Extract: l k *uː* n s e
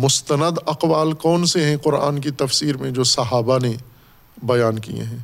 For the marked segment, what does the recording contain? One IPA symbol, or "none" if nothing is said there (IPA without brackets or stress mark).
ɔː